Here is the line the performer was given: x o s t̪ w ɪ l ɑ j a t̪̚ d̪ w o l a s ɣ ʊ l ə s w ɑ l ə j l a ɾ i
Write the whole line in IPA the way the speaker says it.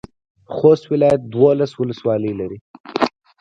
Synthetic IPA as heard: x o s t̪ w ɪ l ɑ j a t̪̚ d̪ w o l a s w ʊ l ə s w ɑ l ə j l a ɾ i